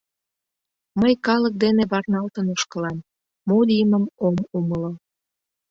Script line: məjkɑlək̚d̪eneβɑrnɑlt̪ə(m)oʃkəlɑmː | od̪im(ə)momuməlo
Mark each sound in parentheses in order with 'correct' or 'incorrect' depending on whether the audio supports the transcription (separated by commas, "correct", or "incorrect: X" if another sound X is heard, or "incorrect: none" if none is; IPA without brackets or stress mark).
incorrect: n, correct